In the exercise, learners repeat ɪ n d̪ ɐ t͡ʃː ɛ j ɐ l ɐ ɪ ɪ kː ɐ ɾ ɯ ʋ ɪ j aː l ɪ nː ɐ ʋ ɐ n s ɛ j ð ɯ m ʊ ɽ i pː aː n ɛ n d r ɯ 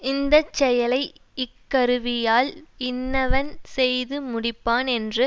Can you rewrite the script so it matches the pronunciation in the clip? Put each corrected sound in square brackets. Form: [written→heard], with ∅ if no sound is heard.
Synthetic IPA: ɪ n d̪ ɐ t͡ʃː ɛ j ɐ l ɐ ɪ ɪ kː ɐ ɾ ɯ ʋ ɪ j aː l ɪ nː ɐ ʋ ɐ n s ɛ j ð ɯ m ʊ ɽ [i→ɪ] pː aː n ɛ n d r ɯ